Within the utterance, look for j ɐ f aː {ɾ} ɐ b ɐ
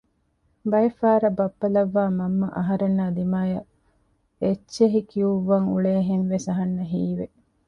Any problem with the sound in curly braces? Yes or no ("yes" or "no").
no